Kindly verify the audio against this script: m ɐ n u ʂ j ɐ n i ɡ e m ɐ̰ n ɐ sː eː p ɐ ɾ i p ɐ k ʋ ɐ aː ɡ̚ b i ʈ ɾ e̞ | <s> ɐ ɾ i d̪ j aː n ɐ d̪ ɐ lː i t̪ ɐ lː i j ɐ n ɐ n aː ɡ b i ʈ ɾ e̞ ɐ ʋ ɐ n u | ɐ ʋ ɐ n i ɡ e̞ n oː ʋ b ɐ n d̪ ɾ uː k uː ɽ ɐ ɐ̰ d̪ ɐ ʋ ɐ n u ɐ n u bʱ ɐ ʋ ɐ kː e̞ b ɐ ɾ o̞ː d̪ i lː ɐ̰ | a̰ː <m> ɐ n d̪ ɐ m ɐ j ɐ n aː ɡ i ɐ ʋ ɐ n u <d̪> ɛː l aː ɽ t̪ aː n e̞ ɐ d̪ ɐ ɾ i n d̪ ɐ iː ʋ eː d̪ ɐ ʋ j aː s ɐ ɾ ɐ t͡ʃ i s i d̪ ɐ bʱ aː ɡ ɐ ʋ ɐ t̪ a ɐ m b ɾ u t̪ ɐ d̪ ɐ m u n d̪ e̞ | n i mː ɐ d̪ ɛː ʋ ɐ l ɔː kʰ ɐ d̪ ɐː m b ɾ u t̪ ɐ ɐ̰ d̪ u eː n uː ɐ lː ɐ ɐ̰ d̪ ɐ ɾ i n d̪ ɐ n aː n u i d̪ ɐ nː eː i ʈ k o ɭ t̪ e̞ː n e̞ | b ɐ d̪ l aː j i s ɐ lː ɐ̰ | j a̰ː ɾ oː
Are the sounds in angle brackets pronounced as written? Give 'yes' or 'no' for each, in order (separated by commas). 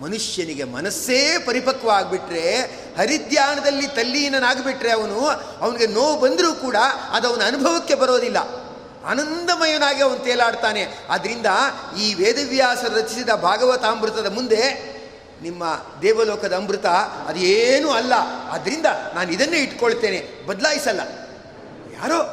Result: no, no, no